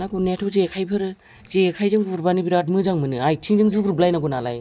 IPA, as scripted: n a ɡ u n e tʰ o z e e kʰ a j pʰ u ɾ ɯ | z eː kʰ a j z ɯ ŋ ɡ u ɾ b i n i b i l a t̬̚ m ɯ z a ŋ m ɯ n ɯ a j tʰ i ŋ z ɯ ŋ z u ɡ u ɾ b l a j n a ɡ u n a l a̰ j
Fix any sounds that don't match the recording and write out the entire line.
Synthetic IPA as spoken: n a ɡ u n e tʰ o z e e kʰ a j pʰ ɯ ɾ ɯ | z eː kʰ a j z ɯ ŋ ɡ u ɾ b a n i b i ɾ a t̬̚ m ɯ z a ŋ m ɯ n ɯ a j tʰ i ŋ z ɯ ŋ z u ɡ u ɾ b l a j n a ɡ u n a l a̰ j